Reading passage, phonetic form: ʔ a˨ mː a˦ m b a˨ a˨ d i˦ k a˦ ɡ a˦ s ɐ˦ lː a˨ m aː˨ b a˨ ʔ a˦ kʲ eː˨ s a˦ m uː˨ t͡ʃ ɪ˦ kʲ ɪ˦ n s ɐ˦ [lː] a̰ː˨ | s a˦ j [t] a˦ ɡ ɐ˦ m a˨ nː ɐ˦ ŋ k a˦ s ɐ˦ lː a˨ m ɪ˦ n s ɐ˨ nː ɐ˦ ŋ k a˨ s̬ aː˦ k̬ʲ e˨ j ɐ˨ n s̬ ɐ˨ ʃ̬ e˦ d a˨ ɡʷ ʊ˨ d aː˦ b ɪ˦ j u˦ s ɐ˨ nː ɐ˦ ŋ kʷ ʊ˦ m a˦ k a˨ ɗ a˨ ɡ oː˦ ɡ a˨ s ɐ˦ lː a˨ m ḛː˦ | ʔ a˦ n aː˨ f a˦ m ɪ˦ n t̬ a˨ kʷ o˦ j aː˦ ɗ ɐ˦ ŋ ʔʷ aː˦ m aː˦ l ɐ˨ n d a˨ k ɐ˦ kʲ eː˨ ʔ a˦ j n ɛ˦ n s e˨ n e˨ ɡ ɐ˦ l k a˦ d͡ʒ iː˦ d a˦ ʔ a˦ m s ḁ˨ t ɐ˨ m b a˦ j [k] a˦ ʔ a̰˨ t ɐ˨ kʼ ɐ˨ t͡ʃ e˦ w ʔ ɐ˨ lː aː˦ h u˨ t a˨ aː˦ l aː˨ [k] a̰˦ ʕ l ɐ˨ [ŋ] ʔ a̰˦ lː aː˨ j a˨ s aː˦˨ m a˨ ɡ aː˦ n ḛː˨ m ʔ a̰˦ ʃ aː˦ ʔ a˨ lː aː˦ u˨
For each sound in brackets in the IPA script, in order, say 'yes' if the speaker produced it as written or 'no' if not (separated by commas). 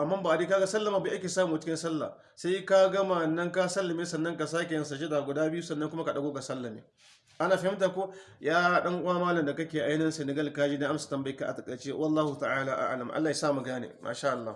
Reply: yes, no, yes, no, no